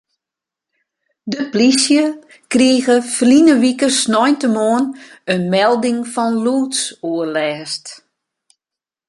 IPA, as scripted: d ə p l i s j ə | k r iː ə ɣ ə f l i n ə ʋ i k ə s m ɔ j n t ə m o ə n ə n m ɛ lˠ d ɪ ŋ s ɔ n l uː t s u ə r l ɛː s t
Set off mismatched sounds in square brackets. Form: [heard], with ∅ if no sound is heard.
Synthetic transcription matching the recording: d ə p l i s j ə | k r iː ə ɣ ə f l i n ə ʋ i k ə s [n] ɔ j n t ə m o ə n ə n m ɛ lˠ d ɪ ŋ [f] ɔ n l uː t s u ə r l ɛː s t